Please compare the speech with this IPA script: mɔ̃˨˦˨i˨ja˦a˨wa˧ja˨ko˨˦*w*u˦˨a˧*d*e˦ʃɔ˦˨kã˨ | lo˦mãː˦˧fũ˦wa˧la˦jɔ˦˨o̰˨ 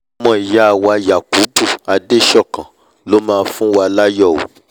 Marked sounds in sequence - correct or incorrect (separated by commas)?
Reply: incorrect, correct